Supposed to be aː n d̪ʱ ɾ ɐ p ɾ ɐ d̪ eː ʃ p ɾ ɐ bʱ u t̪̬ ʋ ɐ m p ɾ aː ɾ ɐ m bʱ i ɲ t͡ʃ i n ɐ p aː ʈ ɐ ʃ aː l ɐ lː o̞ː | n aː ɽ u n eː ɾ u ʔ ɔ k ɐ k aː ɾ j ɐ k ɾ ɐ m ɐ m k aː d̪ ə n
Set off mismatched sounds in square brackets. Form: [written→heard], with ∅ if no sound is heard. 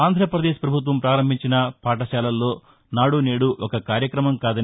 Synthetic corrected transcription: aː n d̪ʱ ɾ ɐ p ɾ ɐ d̪ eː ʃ p ɾ ɐ bʱ u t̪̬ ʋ ɐ m p ɾ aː ɾ ɐ m bʱ i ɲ t͡ʃ i n ɐ p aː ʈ ɐ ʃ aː l ɐ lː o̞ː | n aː ɽ u n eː [ɾ→ɽ] u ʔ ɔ k ɐ k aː ɾ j ɐ k ɾ ɐ m ɐ m k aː d̪ [ə→ɐ] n